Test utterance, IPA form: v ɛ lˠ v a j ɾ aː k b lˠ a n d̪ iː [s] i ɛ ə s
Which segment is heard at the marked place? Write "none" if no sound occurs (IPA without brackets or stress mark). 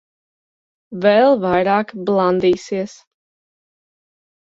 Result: s